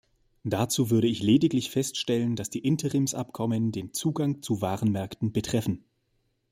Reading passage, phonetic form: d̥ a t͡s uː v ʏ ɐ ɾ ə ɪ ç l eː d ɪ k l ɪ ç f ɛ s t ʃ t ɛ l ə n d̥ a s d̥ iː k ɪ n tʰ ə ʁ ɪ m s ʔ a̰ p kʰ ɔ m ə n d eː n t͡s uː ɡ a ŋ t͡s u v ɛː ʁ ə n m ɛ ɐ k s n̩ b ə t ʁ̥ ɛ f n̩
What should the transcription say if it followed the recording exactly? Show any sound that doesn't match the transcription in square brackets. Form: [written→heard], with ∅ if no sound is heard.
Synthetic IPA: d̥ a t͡s uː v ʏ ɐ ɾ ə ɪ ç l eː d ɪ k l ɪ ç f ɛ s t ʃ t ɛ l ə n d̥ a s d̥ iː [k→ʔ] ɪ n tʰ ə ʁ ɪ m s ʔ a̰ p kʰ ɔ m ə n d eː n t͡s uː ɡ a ŋ t͡s u v [ɛː→aː] ʁ ə n m ɛ ɐ k [s→t] n̩ b ə t ʁ̥ ɛ f n̩